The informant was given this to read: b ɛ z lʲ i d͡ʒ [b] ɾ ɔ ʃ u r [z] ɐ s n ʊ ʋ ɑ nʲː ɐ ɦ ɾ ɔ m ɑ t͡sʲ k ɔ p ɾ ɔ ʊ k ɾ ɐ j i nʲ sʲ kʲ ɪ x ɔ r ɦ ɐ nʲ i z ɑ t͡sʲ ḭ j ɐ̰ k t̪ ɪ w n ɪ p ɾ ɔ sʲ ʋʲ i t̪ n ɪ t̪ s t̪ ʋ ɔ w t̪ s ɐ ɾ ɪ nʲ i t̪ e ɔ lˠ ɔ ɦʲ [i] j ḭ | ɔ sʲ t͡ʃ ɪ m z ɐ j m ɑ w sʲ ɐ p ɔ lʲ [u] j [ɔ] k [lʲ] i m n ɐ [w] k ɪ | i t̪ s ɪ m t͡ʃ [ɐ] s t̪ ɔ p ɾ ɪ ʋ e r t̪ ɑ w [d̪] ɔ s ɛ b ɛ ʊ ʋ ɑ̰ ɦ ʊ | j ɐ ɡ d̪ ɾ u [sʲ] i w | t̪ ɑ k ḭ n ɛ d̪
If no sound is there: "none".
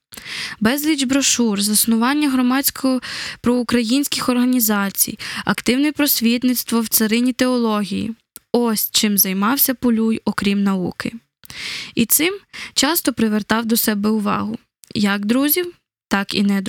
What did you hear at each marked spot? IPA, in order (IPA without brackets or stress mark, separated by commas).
b, z, i, u, ɔ, ɾʲ, u, ɑ, d̪, zʲ